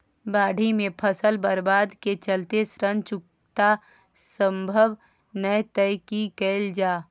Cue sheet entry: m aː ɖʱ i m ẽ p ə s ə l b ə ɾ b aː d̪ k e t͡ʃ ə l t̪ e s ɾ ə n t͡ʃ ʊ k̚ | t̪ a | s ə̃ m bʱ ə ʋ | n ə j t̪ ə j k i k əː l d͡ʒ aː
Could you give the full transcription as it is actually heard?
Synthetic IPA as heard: b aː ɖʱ i m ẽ pʰ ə s ə l b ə ɾ b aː d̪ k e t͡ʃ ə l t̪ e s ɾ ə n t͡ʃ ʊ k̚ | t̪ a | s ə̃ m bʱ ə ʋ | n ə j t̪ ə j k i k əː l d͡ʒ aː